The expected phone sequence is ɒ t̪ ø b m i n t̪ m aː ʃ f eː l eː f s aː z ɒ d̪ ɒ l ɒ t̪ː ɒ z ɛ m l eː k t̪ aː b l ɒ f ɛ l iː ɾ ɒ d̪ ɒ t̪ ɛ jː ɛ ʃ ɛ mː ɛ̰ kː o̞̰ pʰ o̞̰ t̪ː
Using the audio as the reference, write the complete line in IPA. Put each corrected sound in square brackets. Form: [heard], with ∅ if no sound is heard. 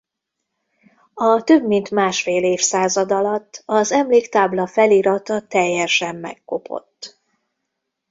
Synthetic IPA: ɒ t̪ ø b m i n t̪ m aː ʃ f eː l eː f s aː z ɒ d̪ ɒ l ɒ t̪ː ɒ z ɛ m l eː k t̪ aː b l ɒ f ɛ l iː ɾ ɒ [t̪] ɒ t̪ ɛ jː ɛ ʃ ɛ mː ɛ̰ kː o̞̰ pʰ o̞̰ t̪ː